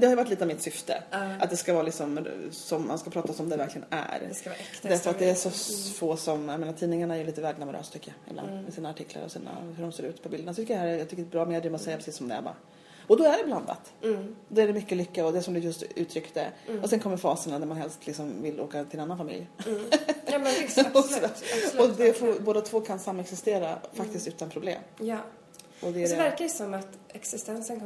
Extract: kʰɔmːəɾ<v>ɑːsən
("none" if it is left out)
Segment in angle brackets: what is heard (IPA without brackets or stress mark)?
f